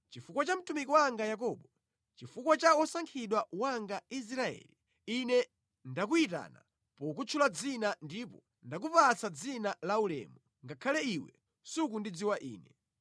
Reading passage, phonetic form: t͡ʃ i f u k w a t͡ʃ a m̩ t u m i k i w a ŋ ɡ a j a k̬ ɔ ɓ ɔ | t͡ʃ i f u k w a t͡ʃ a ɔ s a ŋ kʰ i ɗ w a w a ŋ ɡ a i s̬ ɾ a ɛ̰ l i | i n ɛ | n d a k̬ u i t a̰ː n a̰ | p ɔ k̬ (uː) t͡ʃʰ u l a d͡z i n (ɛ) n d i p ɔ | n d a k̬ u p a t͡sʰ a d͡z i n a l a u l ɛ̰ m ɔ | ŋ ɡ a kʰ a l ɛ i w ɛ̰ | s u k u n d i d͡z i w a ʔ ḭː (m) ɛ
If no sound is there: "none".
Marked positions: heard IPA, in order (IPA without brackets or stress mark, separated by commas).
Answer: u, a, n